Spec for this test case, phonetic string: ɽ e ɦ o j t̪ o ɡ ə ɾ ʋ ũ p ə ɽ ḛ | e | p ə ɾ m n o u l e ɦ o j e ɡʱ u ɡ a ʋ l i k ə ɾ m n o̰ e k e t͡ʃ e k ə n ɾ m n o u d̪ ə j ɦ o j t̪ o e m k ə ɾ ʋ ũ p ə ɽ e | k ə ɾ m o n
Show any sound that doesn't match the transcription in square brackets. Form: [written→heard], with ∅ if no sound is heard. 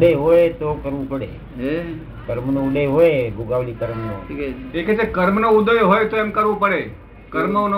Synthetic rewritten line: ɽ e ɦ o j t̪ o [ɡ→k] ə ɾ ʋ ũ p ə ɽ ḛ | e | [p→k] ə ɾ m n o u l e ɦ o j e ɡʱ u ɡ a ʋ l i k ə ɾ m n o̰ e k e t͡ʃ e k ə [n→∅] ɾ m n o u d̪ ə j ɦ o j t̪ o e m k ə ɾ ʋ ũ p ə ɽ e | k ə ɾ m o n